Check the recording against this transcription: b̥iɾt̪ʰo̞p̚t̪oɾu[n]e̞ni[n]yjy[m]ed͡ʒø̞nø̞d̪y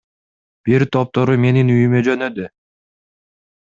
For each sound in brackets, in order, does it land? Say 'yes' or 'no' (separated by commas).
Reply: no, yes, yes